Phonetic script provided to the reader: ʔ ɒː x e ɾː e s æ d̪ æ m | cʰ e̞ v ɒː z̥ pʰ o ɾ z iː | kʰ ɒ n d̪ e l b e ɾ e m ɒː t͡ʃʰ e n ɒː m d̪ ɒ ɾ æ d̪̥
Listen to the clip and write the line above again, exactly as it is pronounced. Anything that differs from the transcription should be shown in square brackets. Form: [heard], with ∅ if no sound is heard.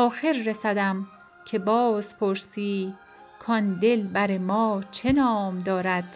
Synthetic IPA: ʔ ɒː x e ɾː e s æ d̪ æ m | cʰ e̞ [b] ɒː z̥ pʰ o ɾ [s] iː | kʰ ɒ n d̪ e l b [æ] ɾ e m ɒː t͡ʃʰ e n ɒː m d̪ [ɒː] ɾ æ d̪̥